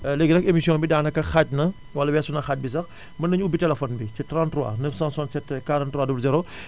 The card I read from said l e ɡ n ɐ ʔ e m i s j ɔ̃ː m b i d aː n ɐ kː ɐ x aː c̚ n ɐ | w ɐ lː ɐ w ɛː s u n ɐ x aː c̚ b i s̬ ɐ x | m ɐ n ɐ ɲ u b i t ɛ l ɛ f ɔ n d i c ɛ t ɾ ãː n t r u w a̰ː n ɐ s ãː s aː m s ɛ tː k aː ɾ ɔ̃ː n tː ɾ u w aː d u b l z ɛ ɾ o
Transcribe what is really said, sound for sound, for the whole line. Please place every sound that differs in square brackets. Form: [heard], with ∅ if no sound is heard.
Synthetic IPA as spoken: l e ɡ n ɐ [k] e m i s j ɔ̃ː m b i d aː n ɐ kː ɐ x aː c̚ n ɐ | w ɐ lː ɐ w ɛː s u n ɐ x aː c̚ b i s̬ ɐ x | m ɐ n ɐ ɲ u b i t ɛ l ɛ f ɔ n [b] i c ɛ t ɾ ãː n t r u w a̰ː n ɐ s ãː s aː [n] s ɛ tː k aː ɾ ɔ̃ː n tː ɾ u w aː d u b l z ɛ ɾ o